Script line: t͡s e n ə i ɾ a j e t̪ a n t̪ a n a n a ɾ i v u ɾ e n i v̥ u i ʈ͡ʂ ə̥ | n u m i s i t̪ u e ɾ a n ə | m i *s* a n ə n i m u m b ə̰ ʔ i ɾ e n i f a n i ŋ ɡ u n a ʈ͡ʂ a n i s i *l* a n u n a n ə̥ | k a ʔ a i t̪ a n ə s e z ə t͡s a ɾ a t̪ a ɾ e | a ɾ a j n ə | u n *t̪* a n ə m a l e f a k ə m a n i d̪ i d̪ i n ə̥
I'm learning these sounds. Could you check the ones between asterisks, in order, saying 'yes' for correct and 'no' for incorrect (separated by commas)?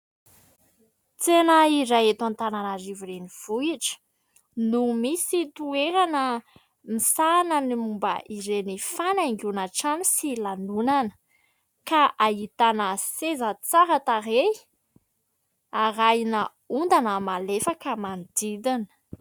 yes, yes, no